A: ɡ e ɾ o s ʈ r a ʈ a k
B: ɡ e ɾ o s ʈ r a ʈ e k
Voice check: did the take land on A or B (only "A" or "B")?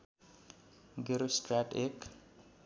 B